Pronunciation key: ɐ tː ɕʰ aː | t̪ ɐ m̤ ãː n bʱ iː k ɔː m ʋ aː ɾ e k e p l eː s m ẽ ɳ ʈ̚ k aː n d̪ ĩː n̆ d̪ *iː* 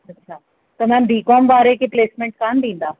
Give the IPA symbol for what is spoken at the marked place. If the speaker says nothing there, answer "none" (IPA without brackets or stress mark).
aː